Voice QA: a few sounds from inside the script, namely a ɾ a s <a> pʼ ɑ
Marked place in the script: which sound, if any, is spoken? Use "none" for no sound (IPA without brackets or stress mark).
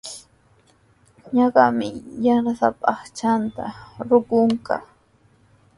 a